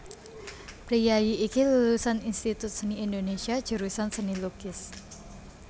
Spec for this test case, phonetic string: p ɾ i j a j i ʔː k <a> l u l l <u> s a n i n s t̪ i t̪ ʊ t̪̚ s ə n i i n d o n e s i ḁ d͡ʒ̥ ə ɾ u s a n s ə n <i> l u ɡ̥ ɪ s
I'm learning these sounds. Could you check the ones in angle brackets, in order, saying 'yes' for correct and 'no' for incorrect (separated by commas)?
no, yes, yes